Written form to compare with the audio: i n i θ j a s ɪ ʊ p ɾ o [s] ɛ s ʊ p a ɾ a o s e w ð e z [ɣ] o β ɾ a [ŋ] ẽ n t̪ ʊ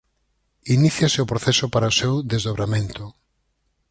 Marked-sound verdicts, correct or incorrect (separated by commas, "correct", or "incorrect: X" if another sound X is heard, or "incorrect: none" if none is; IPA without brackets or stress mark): incorrect: θ, incorrect: ð, incorrect: m